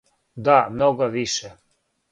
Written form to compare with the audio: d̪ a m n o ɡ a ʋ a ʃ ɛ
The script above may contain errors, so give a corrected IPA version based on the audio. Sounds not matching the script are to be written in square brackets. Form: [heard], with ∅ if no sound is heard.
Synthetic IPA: d̪ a m n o ɡ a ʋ [i] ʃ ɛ

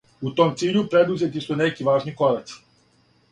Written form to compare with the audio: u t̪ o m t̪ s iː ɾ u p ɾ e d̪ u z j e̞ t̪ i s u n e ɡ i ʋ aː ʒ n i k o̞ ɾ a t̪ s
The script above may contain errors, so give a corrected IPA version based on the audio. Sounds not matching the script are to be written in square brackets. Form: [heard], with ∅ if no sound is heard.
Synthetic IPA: u t̪ o m t̪ s iː [ʎ] u p ɾ e d̪ u z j e̞ t̪ i s u n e [k] i ʋ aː ʒ n i k o̞ ɾ a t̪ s

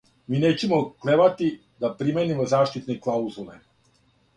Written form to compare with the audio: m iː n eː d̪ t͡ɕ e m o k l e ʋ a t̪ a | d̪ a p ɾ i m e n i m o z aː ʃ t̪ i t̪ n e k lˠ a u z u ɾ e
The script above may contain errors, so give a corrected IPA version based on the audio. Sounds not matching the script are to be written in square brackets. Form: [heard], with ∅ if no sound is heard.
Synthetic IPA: m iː n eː [∅] t͡ɕ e m o k l e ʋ a t̪ [i] | d̪ a p ɾ i m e n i m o z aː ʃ t̪ i t̪ n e k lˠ a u z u [l] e

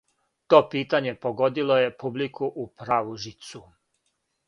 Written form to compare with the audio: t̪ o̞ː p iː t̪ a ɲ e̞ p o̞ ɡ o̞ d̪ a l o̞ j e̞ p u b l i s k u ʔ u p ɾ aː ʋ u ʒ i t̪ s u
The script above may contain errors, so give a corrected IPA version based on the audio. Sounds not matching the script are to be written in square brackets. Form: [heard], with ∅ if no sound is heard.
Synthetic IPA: t̪ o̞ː p iː t̪ a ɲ e̞ p o̞ ɡ o̞ d̪ [i] l o̞ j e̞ p u b l i [∅] k u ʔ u p ɾ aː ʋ u ʒ i t̪ s u

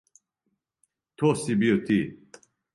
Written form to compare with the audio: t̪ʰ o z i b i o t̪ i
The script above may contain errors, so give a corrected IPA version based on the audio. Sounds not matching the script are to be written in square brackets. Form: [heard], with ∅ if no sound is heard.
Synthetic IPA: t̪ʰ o [s] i b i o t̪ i

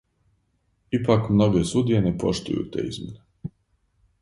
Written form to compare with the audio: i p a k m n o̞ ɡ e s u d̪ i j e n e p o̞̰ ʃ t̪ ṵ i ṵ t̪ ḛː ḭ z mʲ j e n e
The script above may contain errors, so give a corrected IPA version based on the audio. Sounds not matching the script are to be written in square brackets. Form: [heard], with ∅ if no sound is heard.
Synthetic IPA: i p a k m n o̞ ɡ e s u d̪ i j e n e p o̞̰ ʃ t̪ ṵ [j] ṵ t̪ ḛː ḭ z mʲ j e n e

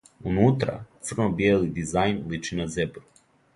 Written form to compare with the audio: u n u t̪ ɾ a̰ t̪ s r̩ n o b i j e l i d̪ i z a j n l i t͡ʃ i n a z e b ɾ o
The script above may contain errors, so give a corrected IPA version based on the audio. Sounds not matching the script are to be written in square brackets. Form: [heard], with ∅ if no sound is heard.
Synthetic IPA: u n u t̪ ɾ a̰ t̪ s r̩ n o b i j e l i d̪ i z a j n l i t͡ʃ i n a z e b ɾ [u]

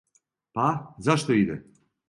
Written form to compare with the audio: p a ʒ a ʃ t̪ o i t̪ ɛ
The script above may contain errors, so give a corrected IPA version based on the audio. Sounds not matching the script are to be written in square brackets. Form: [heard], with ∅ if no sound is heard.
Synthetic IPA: p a [z] a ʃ t̪ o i [d̪] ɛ

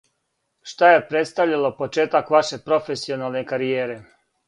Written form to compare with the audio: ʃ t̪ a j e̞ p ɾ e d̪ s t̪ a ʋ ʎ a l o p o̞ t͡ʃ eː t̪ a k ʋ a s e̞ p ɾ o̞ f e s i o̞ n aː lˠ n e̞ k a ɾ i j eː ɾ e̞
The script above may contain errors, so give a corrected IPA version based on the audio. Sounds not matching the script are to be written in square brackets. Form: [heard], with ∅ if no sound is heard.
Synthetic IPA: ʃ t̪ a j e̞ p ɾ e [t̪] s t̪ a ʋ ʎ a l o p o̞ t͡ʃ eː t̪ a k ʋ a [ʃ] e̞ p ɾ o̞ f e s i o̞ n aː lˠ n e̞ k a ɾ i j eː ɾ e̞

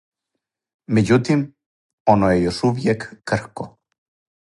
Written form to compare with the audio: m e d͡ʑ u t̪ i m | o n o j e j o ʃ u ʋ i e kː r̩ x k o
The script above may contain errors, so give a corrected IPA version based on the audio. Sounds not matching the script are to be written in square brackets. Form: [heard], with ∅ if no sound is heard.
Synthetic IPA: m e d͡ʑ u t̪ i m | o n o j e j o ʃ u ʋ [j] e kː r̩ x k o

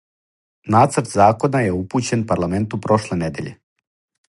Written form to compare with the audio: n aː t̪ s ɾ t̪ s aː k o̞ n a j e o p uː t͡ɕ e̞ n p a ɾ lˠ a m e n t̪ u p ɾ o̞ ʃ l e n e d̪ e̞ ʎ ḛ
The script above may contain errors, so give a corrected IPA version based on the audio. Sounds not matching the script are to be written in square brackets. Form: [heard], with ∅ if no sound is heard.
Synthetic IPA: n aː t̪ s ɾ t̪ [z] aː k o̞ n a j e [u] p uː t͡ɕ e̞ n p a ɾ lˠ a m e n t̪ u p ɾ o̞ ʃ l e n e d̪ e̞ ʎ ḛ

